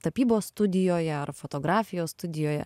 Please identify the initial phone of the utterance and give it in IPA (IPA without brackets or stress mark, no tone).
t̪